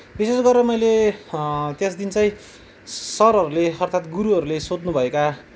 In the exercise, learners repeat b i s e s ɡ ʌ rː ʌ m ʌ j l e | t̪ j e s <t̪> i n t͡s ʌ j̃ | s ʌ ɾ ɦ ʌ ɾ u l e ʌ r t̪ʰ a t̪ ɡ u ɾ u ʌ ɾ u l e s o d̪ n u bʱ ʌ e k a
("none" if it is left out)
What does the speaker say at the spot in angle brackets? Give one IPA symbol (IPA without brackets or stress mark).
d̪